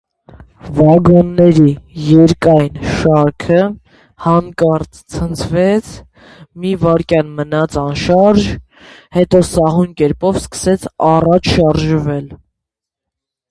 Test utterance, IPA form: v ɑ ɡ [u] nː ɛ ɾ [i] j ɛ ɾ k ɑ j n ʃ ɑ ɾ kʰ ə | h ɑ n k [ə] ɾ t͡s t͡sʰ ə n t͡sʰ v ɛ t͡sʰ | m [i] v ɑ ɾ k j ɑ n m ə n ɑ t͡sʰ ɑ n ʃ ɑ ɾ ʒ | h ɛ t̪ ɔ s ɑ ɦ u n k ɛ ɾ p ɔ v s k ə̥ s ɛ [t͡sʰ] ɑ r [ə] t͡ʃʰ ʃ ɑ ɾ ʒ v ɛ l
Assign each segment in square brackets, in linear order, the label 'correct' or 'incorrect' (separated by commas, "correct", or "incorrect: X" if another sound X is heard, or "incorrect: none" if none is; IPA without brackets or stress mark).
incorrect: ɔ, correct, incorrect: ɑ, correct, correct, incorrect: ɑ